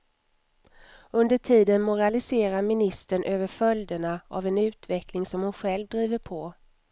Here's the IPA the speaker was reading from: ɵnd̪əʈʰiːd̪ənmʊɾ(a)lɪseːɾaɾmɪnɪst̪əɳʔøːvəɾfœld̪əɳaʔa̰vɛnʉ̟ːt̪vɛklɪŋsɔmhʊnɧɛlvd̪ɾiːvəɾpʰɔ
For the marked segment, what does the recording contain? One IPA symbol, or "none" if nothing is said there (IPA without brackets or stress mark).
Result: a